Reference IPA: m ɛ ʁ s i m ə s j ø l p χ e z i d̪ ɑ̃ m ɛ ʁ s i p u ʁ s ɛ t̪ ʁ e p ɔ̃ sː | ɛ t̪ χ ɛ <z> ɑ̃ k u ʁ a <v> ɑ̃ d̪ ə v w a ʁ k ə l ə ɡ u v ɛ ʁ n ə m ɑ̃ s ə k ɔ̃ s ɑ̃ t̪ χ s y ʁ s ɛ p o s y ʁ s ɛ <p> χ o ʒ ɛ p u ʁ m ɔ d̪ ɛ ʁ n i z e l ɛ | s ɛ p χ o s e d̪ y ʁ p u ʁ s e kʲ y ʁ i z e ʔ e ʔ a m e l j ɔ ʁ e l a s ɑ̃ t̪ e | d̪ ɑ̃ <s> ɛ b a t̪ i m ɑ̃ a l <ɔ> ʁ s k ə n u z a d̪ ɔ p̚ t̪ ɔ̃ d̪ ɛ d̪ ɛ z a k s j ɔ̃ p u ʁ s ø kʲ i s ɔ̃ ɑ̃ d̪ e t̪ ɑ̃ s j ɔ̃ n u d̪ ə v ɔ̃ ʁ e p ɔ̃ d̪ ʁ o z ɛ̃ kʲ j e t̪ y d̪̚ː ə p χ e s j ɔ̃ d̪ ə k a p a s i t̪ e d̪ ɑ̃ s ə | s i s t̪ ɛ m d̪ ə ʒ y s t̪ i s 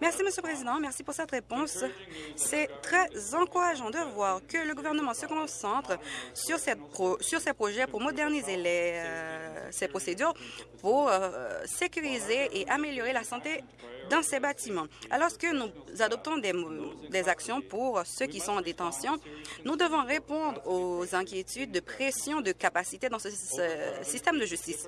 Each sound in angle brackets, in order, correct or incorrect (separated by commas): correct, incorrect, correct, correct, correct